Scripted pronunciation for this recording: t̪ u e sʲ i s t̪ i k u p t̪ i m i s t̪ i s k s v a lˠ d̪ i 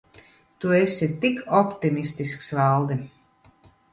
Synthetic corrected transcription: t̪ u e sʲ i t̪ i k ɔ p t̪ i m i s t̪ i s k s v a lˠ d̪ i